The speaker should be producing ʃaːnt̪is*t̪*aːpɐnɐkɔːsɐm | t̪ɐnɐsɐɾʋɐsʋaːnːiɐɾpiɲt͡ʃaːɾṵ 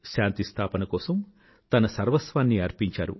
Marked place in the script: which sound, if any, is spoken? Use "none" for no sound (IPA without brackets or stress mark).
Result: t̪ʰ